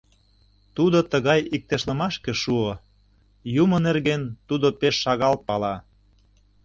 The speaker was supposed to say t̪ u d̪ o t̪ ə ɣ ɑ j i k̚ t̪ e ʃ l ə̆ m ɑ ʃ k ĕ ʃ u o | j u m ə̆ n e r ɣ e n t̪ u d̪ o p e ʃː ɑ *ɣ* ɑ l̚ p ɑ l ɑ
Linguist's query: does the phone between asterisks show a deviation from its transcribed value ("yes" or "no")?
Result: no